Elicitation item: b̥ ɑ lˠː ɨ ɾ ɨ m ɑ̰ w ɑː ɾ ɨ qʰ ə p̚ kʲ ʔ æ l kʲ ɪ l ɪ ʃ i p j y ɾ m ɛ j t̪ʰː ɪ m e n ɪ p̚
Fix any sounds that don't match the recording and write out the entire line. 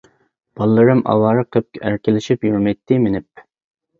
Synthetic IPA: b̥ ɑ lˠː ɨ ɾ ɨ m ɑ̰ w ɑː ɾ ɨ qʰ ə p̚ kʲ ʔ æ ɾ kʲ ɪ l ɪ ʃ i p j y ɾ m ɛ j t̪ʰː ɪ m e n ɪ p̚